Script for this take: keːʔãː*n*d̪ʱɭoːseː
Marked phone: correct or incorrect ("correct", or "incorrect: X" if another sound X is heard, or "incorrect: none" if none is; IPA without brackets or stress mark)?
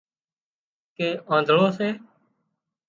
correct